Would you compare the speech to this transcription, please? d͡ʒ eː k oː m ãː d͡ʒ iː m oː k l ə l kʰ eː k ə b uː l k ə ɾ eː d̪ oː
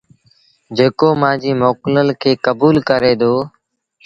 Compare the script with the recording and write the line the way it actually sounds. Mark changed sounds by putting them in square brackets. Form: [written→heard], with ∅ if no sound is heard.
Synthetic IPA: d͡ʒ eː k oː m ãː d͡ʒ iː m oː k l ə l kʰ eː k ə b uː l k ə ɾ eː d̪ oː